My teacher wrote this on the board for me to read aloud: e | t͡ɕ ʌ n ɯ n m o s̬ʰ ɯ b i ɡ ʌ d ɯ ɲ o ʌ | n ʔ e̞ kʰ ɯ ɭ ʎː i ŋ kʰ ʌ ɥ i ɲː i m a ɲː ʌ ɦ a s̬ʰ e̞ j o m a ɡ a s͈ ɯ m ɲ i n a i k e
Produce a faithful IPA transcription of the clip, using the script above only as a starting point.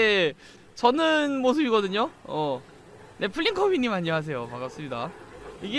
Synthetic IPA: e | t͡ɕ ʌ n ɯ n m o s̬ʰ ɯ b i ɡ ʌ d ɯ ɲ o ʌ | n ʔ e̞ pʰ ɯ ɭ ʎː i ŋ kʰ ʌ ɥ i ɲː i m a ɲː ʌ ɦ a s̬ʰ e̞ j o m a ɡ a s͈ ɯ m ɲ i d a i ɡ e

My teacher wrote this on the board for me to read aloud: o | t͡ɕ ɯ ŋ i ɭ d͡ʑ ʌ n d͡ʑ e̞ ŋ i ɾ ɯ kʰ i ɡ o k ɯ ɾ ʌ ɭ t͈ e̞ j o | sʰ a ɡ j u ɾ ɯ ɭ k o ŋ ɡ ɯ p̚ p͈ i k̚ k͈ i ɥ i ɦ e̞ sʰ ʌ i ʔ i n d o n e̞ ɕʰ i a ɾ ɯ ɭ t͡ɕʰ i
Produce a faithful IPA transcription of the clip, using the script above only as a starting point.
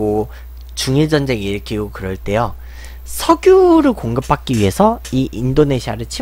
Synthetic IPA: o | t͡ɕ u ŋ i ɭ d͡ʑ ʌ n d͡ʑ e̞ ŋ i ɾ ɯ kʰ i ɡ o k ɯ ɾ ʌ ɭ t͈ e̞ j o | sʰ ʌ ɡ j u ɾ ɯ ɭ k o ŋ ɡ ɯ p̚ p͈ a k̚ k͈ i ɥ i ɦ e̞ sʰ ʌ i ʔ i n d o n e̞ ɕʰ i a ɾ ɯ ɭ t͡ɕʰ i

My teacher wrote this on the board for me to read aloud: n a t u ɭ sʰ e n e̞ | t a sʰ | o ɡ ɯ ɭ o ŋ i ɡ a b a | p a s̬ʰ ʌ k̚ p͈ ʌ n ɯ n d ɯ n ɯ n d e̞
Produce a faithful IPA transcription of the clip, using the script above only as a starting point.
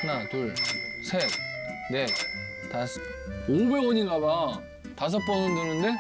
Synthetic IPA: n a t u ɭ sʰ e n e̞ | t a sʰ | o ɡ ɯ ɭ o ɲ i ɡ a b a | t a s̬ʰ ʌ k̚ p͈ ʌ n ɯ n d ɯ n ɯ n d e̞

